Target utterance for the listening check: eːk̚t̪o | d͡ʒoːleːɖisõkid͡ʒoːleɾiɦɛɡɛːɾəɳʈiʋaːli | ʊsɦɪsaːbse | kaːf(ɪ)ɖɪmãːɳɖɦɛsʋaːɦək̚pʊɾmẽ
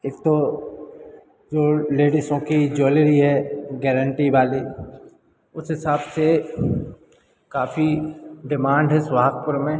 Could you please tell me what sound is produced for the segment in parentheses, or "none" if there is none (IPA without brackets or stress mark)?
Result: i